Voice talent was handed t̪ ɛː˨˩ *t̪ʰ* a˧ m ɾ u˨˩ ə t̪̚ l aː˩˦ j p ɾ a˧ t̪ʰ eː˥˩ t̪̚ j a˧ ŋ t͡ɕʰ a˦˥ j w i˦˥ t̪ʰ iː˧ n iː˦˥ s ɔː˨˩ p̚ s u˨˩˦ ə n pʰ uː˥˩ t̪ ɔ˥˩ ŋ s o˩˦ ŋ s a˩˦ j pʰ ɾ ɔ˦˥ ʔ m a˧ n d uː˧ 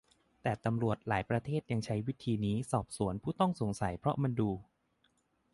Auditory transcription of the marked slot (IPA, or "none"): t̪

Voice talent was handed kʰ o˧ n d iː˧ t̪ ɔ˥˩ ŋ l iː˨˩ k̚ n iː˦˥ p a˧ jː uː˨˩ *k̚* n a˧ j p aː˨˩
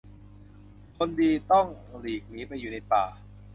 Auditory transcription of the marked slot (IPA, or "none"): none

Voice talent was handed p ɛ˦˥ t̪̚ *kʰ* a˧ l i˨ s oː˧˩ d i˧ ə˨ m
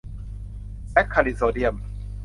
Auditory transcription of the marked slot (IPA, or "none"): kʰ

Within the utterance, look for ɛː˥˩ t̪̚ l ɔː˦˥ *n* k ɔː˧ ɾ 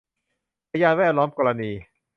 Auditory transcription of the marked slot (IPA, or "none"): m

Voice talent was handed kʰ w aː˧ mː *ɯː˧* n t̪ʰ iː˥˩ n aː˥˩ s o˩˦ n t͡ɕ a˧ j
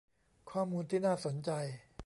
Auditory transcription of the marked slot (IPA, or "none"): uː˧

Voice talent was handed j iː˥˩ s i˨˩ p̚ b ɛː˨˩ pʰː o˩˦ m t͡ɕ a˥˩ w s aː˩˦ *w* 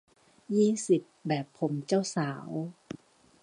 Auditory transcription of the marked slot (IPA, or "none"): w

